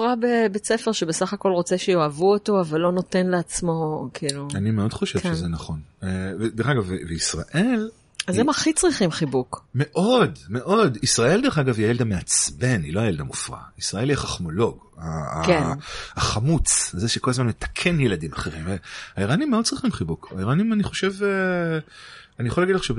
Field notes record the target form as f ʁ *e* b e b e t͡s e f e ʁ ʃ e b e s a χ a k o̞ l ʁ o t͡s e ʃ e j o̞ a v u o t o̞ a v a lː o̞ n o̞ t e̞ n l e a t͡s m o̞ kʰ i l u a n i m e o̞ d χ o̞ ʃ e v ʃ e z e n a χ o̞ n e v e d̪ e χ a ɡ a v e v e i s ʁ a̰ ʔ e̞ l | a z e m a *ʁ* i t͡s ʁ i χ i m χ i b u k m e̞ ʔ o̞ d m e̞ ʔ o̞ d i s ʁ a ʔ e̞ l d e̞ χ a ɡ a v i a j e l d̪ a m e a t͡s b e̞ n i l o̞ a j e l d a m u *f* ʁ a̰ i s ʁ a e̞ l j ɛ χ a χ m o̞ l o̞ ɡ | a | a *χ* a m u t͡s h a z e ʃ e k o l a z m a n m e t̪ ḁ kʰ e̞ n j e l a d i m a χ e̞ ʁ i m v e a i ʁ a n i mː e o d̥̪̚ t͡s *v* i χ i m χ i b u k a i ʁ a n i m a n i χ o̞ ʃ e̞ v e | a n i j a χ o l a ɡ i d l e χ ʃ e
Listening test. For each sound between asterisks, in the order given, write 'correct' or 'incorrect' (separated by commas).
incorrect, incorrect, correct, correct, incorrect